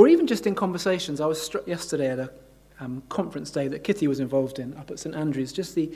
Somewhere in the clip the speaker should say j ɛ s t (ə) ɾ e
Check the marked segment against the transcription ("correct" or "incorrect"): correct